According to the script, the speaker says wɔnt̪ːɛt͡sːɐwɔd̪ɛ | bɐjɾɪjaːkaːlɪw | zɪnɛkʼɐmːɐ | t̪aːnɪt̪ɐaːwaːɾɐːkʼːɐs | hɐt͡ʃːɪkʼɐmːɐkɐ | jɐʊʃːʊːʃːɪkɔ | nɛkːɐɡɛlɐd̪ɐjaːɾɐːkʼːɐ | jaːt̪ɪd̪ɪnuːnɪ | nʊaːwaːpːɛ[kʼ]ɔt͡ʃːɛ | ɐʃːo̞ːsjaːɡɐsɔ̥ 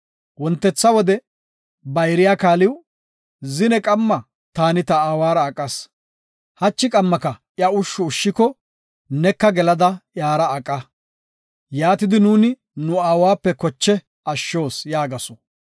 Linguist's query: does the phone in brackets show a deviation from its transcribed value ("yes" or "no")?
yes